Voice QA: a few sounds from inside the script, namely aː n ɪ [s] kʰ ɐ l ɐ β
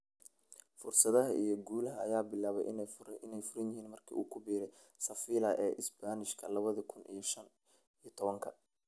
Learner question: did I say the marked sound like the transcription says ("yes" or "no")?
no